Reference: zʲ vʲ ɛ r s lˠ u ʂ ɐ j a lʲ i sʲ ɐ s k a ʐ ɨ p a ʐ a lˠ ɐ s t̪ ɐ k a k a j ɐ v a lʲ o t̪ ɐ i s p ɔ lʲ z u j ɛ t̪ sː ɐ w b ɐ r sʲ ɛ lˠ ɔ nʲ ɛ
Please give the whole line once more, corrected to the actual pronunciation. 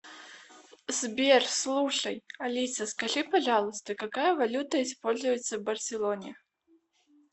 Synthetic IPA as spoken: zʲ bʲ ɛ r s lˠ u ʂ ɐ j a lʲ i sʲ ɐ s k a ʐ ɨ p a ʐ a lˠ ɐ s t̪ ɐ k a k a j ɐ v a lʲ u t̪ ɐ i s p ɔ lʲ z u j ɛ t̪ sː ɐ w b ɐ r sʲ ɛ lˠ ɔ nʲ ɛ

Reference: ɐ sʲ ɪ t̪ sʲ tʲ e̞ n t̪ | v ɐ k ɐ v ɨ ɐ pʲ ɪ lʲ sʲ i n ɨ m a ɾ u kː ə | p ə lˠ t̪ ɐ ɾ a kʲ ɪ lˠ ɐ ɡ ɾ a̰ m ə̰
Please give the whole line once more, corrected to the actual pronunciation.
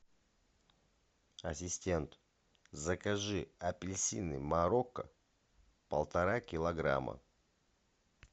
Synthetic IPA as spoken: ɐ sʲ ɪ sʲ tʲ e̞ n t̪ | z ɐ k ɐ ʐ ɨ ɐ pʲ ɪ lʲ sʲ i n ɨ m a ɾ o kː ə | p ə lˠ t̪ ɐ ɾ a kʲ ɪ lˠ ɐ ɡ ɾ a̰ m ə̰

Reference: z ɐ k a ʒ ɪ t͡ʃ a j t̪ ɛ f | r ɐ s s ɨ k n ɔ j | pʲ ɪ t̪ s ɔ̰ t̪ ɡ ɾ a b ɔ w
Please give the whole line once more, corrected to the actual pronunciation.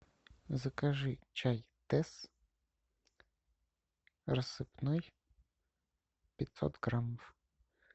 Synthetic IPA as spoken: z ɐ k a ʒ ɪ t͡ʃ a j t̪ ɛ s | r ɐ s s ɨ p n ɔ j | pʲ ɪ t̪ s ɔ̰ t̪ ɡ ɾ a m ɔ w

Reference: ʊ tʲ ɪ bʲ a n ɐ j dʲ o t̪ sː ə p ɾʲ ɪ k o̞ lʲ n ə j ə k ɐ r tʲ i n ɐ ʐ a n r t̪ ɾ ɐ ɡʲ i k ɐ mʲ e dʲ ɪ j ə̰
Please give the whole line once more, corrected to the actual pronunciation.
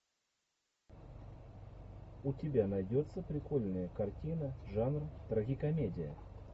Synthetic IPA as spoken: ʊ tʲ ɪ bʲ a n ɐ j dʲ o t̪ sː ə p ɾʲ ɪ k o̞ lʲ n ə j ə k ɐ r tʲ i n ə ʐ a n r t̪ ɾ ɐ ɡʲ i k ɐ mʲ e dʲ ɪ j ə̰

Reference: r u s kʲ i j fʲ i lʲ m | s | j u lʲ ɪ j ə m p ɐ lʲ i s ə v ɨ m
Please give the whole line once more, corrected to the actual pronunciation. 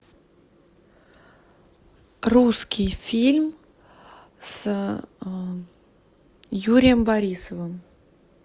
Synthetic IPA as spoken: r u s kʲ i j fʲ i lʲ m | s | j u ɾʲ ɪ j ə m b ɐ ɾʲ i s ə v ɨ m

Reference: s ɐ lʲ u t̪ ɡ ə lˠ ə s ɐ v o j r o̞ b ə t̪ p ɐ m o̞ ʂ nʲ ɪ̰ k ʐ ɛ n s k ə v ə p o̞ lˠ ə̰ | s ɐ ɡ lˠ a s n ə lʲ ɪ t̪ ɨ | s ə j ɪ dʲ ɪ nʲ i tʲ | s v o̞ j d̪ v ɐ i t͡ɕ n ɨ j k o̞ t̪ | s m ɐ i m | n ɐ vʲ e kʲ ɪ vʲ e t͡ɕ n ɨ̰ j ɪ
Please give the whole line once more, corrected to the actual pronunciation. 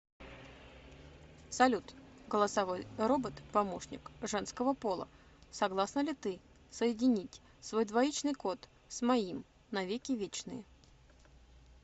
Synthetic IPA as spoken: s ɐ lʲ u t̪ ɡ ə lˠ ə s ɐ v o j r o̞ b ə t̪ p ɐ m o̞ ʂ nʲ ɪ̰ k ʐ ɛ n s k ə v ə p o̞ lˠ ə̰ | s ɐ ɡ lˠ a s n ə lʲ ɪ t̪ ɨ | s ə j ɪ dʲ ɪ nʲ i tʲ | s v o̞ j d̪ v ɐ i t͡ɕ n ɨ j k o̞ t̪ | s m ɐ i m | n ɐ vʲ e kʲ ɪ vʲ e t͡ɕ n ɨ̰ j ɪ

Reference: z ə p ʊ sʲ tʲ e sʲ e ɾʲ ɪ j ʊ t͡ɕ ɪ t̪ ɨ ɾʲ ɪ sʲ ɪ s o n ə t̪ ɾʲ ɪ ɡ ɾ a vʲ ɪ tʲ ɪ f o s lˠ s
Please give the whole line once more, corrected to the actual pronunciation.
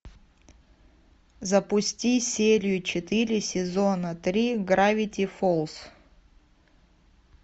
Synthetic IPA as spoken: z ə p ʊ sʲ tʲ i sʲ e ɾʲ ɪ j ʊ t͡ɕ ɪ t̪ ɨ ɾʲ ɪ sʲ ɪ z o n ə t̪ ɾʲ i ɡ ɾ a vʲ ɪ tʲ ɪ f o lˠ s

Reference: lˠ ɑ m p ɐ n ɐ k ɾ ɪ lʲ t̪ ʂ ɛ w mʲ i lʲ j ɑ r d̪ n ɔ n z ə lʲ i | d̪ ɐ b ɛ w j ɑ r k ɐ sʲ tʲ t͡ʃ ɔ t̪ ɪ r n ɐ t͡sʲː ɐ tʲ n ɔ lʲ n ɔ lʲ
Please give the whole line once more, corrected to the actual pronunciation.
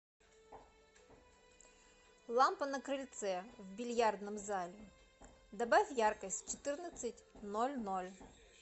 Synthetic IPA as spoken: lˠ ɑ m p ɐ n ɐ k ɾ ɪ lʲ t̪ s ɛ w bʲ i lʲ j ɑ r d̪ n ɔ m z ɑ lʲ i | d̪ ɐ b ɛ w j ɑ r k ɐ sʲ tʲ t͡ʃ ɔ t̪ ɪ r n ɐ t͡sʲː ɐ tʲ n ɔ lʲ n ɔ lʲ

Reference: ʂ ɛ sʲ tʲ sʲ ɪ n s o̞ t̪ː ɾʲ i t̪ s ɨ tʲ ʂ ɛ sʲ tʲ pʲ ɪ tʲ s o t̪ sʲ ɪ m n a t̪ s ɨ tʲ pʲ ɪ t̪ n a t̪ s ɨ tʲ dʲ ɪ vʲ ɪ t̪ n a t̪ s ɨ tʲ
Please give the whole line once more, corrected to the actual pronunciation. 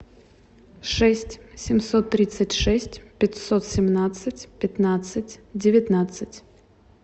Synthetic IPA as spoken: ʂ ɛ sʲ tʲ sʲ ɪ m s o̞ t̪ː ɾʲ i t̪ s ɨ tʲ ʂ ɛ sʲ tʲ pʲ ɪ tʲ s o t̪ sʲ ɪ m n a t̪ s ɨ tʲ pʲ ɪ t̪ n a t̪ s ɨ tʲ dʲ ɪ vʲ ɪ t̪ n a t̪ s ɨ tʲ

